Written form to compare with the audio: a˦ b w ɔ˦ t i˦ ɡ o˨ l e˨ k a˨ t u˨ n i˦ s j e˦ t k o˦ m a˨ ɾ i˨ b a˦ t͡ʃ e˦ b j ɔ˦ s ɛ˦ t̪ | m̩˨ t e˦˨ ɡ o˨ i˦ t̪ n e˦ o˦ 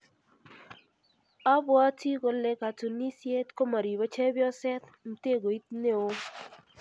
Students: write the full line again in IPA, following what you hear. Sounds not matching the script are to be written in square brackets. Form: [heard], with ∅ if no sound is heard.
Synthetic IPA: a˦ b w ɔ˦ t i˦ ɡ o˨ l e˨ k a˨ t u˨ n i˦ s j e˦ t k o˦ m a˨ ɾ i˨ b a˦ t͡ʃ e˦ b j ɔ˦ s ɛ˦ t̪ | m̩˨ t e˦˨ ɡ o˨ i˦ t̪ n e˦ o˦